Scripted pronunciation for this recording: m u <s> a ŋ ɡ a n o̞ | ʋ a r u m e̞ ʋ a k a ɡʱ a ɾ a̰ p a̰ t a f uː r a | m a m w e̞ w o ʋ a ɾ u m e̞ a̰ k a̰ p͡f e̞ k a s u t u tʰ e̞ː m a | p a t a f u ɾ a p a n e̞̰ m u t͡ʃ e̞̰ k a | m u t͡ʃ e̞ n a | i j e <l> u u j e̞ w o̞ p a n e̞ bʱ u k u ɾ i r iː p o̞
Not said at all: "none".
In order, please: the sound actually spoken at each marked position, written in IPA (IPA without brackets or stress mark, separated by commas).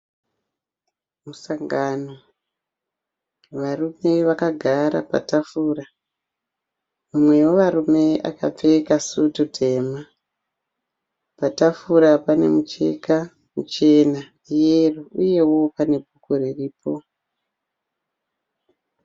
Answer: s, r